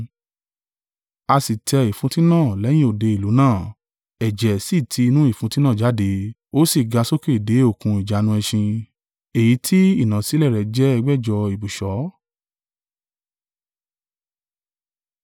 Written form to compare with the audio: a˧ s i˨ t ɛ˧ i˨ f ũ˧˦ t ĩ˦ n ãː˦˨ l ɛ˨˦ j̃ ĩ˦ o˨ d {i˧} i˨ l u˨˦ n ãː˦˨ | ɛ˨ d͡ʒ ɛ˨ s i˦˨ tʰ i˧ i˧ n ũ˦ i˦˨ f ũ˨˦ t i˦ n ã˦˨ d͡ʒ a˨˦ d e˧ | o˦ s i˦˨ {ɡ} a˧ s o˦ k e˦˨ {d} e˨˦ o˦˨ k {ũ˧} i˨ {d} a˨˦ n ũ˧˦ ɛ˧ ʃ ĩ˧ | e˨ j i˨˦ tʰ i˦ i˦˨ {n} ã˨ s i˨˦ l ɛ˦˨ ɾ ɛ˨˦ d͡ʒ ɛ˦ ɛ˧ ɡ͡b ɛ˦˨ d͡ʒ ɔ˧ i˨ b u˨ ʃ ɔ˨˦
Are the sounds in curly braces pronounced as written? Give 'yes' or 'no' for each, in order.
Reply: no, yes, yes, yes, no, yes

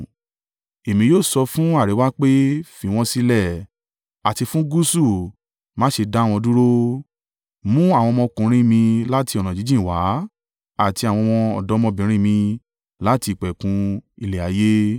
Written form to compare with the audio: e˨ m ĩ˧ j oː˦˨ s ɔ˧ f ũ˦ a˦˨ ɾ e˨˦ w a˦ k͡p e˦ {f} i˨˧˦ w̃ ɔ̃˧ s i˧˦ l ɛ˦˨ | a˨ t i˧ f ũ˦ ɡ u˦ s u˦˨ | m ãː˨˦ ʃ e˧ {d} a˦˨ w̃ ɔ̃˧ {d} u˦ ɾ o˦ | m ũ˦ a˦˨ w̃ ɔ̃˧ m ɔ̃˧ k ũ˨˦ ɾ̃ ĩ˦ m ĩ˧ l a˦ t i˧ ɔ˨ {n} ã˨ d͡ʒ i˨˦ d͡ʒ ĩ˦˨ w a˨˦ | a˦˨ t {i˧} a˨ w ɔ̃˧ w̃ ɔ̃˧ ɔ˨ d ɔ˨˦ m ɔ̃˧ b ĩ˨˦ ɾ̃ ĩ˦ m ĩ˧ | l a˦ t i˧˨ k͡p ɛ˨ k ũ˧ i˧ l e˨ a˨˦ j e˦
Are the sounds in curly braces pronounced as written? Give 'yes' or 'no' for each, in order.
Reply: yes, yes, yes, yes, yes

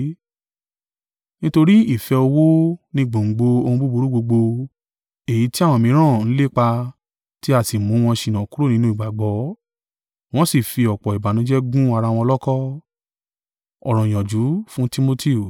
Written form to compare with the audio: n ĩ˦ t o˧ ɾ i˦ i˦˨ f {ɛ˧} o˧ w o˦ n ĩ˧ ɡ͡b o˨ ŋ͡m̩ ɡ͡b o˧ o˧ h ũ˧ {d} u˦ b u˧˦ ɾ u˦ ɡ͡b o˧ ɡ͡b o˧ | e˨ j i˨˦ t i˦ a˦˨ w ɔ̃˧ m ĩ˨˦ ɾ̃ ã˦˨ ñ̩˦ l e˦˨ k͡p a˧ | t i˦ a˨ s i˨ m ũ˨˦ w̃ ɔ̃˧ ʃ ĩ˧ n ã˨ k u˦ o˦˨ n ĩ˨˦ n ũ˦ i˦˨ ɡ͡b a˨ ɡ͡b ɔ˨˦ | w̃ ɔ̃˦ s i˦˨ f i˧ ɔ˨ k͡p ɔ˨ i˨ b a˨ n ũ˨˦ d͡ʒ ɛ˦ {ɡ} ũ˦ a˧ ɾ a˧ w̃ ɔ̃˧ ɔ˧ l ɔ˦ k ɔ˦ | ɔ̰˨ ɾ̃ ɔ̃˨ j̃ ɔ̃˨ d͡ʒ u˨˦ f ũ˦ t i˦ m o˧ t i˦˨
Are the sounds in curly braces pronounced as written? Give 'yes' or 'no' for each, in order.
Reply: yes, no, yes

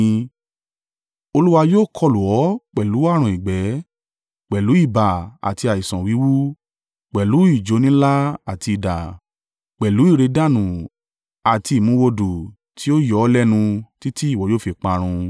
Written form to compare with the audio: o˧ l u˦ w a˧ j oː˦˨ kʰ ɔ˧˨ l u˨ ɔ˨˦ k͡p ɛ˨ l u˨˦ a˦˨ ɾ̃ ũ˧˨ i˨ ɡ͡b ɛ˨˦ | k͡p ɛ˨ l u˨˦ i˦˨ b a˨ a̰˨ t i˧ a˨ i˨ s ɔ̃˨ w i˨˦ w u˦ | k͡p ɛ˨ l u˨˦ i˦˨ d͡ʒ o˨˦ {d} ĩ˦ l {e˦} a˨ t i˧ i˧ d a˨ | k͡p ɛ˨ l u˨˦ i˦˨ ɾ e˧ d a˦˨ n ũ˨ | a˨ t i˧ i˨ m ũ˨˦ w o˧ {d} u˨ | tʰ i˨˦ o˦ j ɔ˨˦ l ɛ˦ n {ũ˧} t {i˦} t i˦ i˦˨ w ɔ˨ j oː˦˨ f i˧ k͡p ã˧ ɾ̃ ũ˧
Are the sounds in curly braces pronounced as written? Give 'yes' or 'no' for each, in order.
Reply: no, no, yes, yes, yes

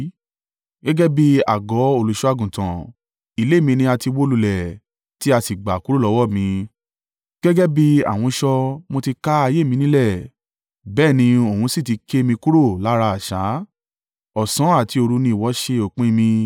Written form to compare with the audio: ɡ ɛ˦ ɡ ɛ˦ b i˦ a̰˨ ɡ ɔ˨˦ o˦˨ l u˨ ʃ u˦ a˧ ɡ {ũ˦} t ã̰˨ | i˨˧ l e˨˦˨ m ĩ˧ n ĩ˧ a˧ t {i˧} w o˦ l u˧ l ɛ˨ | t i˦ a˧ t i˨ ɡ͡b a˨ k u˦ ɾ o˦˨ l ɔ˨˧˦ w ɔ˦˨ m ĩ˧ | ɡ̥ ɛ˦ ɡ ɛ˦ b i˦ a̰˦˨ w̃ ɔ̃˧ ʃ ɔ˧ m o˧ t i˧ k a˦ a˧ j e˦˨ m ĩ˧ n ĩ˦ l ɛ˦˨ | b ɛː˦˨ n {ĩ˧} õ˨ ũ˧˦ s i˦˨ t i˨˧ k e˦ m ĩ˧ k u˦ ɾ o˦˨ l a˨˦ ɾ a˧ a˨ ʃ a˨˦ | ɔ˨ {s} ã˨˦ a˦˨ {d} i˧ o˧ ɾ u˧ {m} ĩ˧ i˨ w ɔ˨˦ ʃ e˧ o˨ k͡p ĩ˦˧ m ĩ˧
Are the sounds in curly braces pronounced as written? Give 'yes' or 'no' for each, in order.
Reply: no, yes, yes, yes, no, no

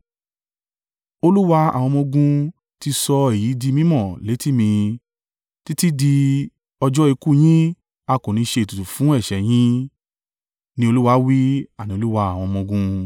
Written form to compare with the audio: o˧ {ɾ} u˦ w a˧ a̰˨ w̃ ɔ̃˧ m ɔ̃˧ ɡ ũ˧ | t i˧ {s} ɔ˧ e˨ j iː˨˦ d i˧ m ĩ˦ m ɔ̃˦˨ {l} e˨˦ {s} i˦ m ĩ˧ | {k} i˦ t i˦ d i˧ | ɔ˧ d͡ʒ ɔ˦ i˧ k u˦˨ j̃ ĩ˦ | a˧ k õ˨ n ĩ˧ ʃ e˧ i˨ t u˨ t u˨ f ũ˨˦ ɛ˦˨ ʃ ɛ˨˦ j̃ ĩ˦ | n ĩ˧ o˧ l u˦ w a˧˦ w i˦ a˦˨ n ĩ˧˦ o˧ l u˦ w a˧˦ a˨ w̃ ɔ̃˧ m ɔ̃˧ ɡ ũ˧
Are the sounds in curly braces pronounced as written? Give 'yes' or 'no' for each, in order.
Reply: no, yes, yes, no, no

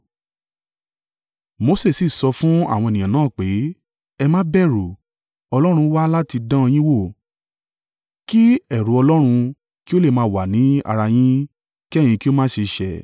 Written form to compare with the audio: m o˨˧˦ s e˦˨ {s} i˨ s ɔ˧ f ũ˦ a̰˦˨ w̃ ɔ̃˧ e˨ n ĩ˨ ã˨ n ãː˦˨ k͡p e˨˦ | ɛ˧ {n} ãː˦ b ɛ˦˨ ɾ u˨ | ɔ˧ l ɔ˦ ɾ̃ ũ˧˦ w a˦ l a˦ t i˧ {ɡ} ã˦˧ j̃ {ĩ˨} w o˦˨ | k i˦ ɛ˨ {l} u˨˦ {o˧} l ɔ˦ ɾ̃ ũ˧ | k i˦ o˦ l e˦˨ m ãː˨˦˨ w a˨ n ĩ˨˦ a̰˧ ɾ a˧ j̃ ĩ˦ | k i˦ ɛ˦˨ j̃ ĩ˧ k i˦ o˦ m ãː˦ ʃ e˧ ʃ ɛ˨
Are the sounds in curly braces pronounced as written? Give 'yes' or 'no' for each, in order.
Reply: yes, no, no, no, no, no

